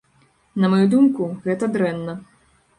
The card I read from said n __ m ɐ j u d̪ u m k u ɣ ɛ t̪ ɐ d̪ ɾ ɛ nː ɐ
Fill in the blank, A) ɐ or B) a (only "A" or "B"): A